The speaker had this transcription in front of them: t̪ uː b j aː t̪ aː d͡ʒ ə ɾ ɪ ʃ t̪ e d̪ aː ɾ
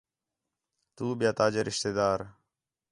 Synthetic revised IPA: t̪ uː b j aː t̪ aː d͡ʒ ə ɾ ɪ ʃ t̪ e d̪ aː ɾ